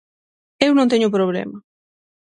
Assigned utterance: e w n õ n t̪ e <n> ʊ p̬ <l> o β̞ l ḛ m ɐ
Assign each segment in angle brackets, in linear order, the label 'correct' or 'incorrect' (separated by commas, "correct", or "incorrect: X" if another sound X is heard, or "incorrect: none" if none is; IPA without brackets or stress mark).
incorrect: ɲ, incorrect: ɾ